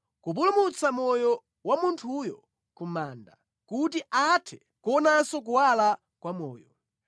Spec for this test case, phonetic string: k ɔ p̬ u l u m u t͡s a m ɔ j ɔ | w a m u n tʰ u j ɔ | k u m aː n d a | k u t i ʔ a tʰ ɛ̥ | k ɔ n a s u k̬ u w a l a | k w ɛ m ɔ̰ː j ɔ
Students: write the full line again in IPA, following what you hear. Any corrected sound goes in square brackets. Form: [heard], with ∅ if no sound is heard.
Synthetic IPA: k [u] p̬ u l u m u t͡s a m ɔ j ɔ | w a m u n tʰ u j ɔ | k u m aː n d a | k u t i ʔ a tʰ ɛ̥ | k ɔ n a s [ɔ] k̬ u w a l a | k w [a] m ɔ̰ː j ɔ